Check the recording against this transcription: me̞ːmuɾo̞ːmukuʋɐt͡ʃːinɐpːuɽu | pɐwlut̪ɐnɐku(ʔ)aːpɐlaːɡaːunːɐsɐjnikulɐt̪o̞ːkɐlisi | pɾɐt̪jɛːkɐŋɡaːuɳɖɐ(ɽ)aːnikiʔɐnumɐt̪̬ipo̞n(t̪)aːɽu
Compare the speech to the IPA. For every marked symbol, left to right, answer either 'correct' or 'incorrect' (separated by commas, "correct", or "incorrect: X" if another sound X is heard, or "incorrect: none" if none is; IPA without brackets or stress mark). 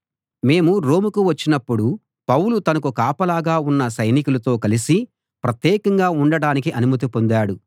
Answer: incorrect: k, correct, incorrect: d̪